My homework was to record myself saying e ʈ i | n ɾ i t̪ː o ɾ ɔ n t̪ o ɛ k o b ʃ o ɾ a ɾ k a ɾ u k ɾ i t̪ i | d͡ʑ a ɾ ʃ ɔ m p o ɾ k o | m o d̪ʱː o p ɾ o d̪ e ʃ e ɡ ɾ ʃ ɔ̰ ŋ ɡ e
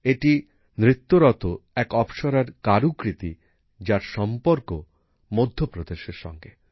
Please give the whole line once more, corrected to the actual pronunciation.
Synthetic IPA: e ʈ i | n ɾ i t̪ː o ɾ ɔ t̪ o ɛ k ɔ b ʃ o ɾ a ɾ k a ɾ u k ɾ i t̪ i | d͡ʑ a ɾ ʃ ɔ m p o ɾ k o | m o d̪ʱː o p ɾ o d̪ e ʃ e ɾ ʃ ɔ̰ ŋ ɡ e